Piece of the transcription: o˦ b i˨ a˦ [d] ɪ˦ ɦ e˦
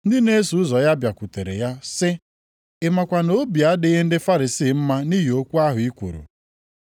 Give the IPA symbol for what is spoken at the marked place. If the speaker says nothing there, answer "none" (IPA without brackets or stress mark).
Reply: d